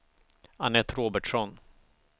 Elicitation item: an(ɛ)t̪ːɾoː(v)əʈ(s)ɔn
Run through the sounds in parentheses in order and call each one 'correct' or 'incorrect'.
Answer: correct, incorrect, incorrect

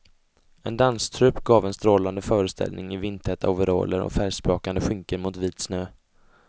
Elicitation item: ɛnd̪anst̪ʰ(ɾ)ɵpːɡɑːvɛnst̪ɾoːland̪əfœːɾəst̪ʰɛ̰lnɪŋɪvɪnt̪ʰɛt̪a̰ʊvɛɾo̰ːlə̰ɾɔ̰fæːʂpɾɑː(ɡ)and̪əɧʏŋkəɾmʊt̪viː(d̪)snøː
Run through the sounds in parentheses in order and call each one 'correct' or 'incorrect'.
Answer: correct, incorrect, incorrect

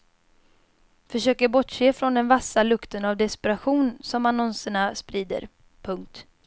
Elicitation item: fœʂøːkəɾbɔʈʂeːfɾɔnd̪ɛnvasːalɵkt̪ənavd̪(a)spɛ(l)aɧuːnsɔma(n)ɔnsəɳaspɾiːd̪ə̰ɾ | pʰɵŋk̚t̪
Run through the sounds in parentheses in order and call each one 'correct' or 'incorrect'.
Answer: incorrect, incorrect, correct

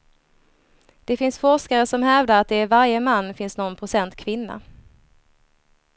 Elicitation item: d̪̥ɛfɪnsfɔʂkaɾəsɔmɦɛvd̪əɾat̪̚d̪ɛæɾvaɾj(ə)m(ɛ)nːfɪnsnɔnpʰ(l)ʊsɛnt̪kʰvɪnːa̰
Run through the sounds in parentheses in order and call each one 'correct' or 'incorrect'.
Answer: correct, incorrect, incorrect

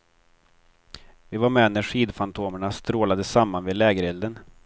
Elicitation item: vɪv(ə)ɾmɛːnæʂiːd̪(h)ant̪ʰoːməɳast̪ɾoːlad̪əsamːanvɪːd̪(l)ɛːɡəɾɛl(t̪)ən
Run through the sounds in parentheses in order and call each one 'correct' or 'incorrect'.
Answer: incorrect, incorrect, correct, incorrect

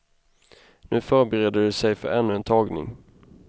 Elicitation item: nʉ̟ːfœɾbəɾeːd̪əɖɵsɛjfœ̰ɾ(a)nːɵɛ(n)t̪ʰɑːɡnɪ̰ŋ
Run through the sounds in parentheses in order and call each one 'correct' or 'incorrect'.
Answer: incorrect, correct

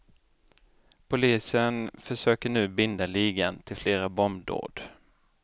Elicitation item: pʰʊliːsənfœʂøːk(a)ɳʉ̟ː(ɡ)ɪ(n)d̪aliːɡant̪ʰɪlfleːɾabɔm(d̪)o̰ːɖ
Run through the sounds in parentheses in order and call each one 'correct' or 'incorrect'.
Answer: incorrect, incorrect, correct, correct

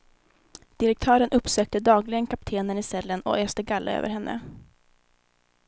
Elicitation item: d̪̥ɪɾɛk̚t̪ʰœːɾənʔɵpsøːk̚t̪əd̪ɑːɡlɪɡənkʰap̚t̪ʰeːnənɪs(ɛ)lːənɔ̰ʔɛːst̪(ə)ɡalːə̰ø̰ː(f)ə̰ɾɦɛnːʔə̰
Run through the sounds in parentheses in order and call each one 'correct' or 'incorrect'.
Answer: correct, correct, incorrect

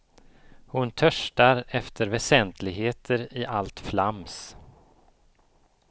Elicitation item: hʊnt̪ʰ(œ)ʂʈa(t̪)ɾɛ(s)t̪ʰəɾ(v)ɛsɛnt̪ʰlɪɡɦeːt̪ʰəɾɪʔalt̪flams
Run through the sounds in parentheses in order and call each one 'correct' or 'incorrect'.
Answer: correct, incorrect, incorrect, correct

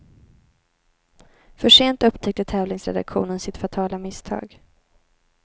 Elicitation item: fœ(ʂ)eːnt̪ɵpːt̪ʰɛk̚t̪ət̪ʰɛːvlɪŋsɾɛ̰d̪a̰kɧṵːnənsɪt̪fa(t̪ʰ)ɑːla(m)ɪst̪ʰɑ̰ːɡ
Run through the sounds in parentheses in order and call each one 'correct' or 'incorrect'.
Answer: correct, correct, correct

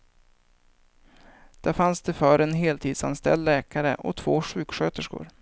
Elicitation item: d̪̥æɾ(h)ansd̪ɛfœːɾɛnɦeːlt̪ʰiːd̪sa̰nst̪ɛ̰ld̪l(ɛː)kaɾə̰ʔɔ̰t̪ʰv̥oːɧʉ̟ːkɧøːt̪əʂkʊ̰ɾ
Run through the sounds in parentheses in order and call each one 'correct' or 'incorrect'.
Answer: incorrect, correct

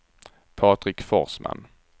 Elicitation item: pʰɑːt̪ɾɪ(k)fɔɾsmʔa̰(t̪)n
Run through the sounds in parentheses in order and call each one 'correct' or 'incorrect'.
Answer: correct, incorrect

